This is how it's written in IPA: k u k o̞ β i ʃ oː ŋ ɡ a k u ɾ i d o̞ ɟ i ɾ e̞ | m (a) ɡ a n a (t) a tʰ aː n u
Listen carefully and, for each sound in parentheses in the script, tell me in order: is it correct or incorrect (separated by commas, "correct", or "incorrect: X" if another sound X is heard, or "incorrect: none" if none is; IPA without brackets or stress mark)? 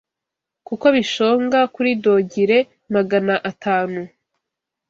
correct, incorrect: ʔ